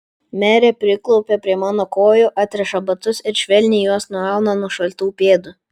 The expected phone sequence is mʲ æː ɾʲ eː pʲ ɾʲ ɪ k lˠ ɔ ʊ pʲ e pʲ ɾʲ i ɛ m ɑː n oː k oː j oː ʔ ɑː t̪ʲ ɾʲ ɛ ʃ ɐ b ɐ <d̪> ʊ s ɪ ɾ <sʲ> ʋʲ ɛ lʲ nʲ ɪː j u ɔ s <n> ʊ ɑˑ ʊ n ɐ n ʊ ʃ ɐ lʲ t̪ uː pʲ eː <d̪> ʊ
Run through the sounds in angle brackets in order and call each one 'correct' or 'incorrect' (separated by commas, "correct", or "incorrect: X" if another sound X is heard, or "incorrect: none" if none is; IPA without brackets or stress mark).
incorrect: t̪, incorrect: ʃʲ, correct, correct